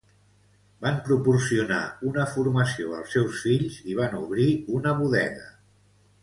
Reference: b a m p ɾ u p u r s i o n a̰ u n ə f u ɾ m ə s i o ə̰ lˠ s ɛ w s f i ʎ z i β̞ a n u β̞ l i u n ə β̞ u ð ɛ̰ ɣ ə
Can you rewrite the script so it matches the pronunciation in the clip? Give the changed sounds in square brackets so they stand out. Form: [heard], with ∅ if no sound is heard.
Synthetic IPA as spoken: b a m p ɾ u p u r s i [u] n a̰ u n ə f u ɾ m ə s i o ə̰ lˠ s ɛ w s f i ʎ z i β̞ a n u β̞ [ɾ] i u n ə β̞ u ð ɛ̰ ɣ ə